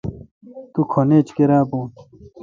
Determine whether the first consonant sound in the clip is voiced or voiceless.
voiceless